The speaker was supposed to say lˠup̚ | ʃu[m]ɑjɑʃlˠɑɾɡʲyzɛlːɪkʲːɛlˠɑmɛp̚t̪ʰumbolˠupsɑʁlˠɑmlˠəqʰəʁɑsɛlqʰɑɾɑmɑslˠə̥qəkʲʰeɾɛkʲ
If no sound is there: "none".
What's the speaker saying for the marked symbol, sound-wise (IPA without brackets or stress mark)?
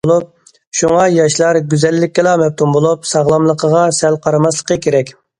ŋ